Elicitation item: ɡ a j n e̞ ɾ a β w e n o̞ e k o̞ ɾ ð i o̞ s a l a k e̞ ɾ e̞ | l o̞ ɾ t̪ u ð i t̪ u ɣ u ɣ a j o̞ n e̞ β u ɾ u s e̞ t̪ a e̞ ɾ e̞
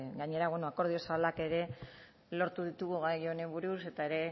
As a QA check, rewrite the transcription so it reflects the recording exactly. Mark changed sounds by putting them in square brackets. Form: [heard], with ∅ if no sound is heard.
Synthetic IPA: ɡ a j [ɲ] e̞ ɾ a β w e n o̞ [a] k o̞ ɾ ð i o̞ s a l a k e̞ ɾ e̞ | l o̞ ɾ t̪ u ð i t̪ u ɣ u ɣ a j o̞ n e̞ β u ɾ u s e̞ t̪ a e̞ ɾ e̞

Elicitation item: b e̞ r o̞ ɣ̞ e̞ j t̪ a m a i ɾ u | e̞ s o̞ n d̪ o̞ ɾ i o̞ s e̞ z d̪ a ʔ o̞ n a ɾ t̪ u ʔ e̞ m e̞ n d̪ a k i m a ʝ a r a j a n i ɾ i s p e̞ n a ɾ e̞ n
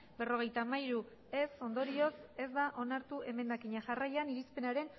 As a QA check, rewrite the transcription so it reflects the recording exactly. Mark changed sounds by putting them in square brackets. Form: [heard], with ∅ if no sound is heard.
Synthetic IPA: b e̞ r o̞ ɣ̞ e̞ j t̪ a m a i ɾ u | e̞ s o̞ n d̪ o̞ ɾ i o̞ s e̞ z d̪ a ʔ o̞ n a ɾ t̪ u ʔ e̞ m e̞ n d̪ a k i [ɲ] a ʝ a r a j a n i ɾ i s p e̞ n a ɾ e̞ n

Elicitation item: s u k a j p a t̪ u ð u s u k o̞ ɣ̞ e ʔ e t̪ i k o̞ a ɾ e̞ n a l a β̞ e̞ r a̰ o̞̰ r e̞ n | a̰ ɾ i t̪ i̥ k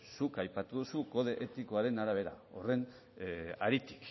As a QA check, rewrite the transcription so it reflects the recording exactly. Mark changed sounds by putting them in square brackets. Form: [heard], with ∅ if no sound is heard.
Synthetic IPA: s u k a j p a t̪ u ð u s u k o̞ [ð̞] e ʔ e t̪ i k o̞ a ɾ e̞ n a [ɾ] a β̞ e̞ [ɾ] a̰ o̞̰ r e̞ n | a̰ ɾ i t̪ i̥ k

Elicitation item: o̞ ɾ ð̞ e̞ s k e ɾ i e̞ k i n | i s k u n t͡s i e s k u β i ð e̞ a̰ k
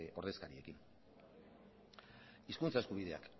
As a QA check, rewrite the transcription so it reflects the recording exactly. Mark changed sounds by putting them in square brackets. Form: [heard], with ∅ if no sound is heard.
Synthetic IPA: o̞ ɾ ð̞ e̞ s k [a] ɾ i e̞ k i n | i s k u n t͡s [a] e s k u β i ð e̞ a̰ k

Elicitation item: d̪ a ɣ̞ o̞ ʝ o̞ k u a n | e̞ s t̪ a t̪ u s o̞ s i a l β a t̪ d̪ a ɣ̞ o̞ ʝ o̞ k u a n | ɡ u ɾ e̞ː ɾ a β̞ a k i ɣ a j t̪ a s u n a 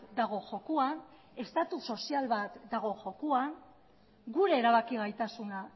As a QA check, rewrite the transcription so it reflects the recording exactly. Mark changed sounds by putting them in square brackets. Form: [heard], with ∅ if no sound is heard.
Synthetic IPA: d̪ a ɣ̞ o̞ ʝ o̞ k u a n | e̞ s t̪ a t̪ u s o̞ s i a l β a t̪ d̪ a ɣ̞ o̞ ʝ o̞ k u a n | ɡ u ɾ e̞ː ɾ a β̞ a k i ɣ a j t̪ a s u n a

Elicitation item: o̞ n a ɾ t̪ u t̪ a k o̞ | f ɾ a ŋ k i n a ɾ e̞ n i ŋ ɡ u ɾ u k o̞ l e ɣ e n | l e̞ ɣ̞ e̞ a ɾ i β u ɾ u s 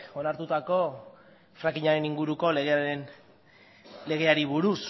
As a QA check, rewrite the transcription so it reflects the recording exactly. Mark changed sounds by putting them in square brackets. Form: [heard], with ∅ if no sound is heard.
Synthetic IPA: o̞ n a ɾ t̪ u t̪ a k o̞ | f ɾ a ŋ k i [ɲ] a ɾ e̞ n i ŋ ɡ u ɾ u k o̞ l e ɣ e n | l e̞ ɣ̞ e̞ a ɾ i β u ɾ u s

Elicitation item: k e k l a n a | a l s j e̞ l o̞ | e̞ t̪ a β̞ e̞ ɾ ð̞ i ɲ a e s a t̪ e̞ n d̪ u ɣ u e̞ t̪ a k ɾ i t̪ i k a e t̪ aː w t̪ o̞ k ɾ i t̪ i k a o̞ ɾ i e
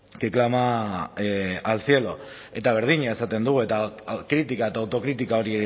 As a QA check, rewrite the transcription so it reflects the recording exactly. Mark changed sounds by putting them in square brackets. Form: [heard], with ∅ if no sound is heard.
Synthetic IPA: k e k l a [m] a | a l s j e̞ l o̞ | e̞ t̪ a β̞ e̞ ɾ ð̞ i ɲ a e s a t̪ e̞ n d̪ u ɣ u e̞ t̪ a k ɾ i t̪ i k a e t̪ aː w t̪ o̞ k ɾ i t̪ i k a o̞ ɾ i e

